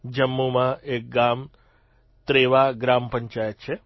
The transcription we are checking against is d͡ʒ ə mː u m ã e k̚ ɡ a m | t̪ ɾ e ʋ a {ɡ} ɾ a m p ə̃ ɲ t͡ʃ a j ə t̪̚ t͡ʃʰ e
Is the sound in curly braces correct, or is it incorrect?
correct